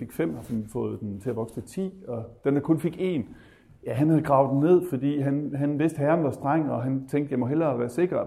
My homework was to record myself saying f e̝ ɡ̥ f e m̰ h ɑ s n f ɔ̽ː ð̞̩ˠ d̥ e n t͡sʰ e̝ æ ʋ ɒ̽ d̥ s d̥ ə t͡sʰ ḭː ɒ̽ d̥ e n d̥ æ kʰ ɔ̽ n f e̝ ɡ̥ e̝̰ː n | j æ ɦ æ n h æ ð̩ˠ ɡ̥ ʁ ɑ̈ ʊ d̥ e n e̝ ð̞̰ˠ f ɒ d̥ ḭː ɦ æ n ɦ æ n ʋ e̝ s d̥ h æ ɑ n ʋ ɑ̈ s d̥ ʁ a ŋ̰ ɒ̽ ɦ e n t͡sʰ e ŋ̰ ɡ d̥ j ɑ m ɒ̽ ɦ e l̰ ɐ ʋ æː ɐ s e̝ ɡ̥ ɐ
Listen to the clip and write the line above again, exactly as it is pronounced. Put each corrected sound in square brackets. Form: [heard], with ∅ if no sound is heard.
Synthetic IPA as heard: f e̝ ɡ̥ f e m̰ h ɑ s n f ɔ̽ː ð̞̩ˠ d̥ e n t͡sʰ e̝ æ ʋ ɒ̽ [ɡ̥] s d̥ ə t͡sʰ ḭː ɒ̽ d̥ e n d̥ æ kʰ ɔ̽ n f e̝ ɡ̥ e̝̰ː n | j æ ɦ æ n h æ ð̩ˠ ɡ̥ ʁ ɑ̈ ʊ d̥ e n e̝ ð̞̰ˠ f ɒ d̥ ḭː ɦ æ n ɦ æ n ʋ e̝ s d̥ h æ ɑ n ʋ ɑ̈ s d̥ ʁ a ŋ̰ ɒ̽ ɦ [æ] n t͡sʰ e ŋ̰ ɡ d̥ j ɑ m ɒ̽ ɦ e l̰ ɐ ʋ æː ɐ s e̝ ɡ̥ ɐ